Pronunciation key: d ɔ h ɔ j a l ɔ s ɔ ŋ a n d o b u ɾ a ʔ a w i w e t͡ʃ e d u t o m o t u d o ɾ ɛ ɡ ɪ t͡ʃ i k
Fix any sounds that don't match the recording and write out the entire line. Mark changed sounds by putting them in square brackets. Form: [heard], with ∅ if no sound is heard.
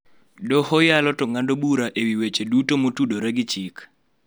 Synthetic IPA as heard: d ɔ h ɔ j a l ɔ [t] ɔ ŋ a n d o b u ɾ a ʔ [e] w i w e t͡ʃ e d u t o m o t u d o ɾ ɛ ɡ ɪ t͡ʃ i k